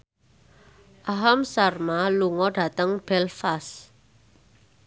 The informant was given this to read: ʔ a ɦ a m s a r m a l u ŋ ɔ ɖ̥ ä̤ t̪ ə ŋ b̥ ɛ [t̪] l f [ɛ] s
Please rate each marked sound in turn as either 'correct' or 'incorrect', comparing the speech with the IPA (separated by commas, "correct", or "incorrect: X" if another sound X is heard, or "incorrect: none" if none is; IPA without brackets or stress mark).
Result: incorrect: none, incorrect: a